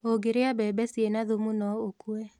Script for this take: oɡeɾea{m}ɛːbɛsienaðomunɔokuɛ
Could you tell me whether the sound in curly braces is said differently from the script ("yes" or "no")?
yes